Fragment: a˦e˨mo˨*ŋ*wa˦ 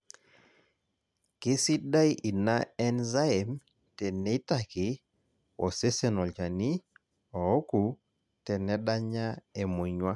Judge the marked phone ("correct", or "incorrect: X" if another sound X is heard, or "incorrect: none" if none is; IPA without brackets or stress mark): incorrect: ɲ